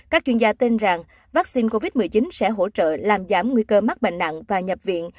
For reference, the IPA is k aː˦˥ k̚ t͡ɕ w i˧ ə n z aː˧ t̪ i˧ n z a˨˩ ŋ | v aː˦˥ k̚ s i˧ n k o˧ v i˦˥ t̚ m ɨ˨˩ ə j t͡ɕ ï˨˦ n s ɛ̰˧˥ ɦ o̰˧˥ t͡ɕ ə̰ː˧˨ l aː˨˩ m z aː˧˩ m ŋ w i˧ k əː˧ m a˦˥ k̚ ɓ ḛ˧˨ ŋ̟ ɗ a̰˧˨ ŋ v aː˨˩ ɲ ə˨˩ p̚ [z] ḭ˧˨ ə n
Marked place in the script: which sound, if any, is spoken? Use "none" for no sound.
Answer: v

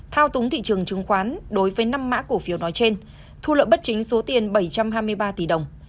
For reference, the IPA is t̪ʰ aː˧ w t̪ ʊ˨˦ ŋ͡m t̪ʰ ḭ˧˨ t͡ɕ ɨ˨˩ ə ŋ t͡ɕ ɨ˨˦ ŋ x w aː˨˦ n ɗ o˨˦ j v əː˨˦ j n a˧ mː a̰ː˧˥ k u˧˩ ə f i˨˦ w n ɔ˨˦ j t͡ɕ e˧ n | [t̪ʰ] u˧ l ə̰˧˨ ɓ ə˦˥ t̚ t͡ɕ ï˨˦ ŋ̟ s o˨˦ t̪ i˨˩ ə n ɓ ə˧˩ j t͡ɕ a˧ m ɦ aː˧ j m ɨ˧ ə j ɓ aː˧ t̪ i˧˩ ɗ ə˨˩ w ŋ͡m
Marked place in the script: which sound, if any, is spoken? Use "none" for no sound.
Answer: t̪ʰ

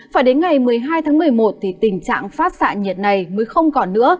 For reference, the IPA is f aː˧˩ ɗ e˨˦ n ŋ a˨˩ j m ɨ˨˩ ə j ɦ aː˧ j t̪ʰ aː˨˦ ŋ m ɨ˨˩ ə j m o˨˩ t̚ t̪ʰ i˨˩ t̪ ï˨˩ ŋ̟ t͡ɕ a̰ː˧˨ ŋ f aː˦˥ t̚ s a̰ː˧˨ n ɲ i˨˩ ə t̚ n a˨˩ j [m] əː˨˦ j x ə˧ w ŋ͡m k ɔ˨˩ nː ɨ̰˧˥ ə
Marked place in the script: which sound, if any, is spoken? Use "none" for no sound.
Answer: m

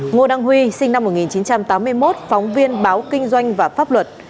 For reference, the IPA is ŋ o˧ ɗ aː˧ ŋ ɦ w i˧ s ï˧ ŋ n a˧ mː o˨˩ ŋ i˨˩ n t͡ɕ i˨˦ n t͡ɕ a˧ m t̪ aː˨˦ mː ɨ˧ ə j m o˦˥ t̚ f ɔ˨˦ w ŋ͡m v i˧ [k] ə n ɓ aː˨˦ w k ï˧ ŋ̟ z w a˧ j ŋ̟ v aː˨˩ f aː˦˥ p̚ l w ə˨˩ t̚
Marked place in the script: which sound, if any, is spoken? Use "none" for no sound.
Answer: none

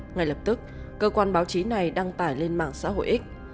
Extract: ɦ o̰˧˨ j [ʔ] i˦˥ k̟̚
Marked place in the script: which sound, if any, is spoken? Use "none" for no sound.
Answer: ʔ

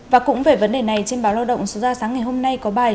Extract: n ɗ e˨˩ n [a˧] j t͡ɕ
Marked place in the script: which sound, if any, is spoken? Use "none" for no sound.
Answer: a˨˩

